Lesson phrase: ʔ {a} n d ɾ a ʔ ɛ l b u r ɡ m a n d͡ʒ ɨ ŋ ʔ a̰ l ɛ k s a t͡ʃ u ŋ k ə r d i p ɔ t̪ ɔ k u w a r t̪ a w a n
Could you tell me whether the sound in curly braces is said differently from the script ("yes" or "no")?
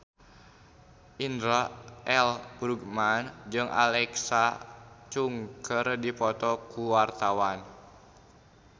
yes